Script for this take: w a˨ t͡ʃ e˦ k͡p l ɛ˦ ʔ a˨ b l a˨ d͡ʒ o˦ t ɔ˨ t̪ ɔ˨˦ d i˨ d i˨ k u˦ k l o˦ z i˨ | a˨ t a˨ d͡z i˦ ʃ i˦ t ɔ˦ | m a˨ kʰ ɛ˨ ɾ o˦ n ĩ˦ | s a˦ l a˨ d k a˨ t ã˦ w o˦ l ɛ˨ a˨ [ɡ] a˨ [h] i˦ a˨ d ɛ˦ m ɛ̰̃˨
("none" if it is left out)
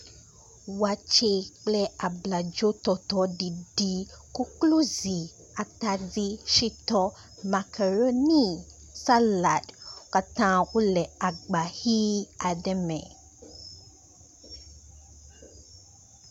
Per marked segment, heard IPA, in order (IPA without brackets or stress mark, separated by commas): ɡ͡b, h